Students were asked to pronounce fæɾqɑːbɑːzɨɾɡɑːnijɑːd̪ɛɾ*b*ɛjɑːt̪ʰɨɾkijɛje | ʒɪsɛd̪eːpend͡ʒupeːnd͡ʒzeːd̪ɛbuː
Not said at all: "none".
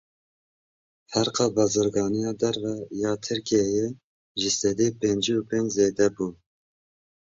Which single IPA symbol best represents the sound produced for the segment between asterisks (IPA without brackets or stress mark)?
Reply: v